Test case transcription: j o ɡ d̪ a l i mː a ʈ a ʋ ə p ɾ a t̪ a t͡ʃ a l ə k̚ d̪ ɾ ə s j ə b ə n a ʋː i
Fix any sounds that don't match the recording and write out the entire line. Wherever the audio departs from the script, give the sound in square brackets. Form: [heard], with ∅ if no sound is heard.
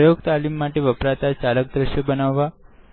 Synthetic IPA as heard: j o ɡ [t̪] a l i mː a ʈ [e] ʋ ə p ɾ a t̪ a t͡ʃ a l ə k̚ d̪ ɾ ə [ʃ] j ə b ə n a ʋː [a]